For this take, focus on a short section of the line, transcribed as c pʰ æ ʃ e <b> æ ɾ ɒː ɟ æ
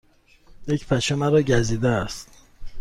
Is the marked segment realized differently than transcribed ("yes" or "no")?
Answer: yes